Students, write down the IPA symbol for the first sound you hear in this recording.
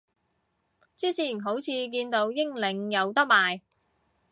t͡s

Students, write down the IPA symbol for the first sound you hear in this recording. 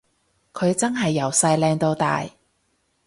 kʰ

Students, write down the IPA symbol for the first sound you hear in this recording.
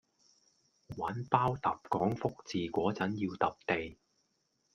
w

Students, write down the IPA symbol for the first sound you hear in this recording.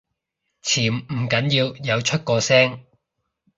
t͡sʰ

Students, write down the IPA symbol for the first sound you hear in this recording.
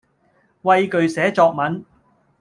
w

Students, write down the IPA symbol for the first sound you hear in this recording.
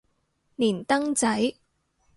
n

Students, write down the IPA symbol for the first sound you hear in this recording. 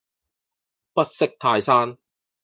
p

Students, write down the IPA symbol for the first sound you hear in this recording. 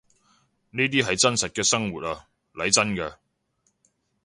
n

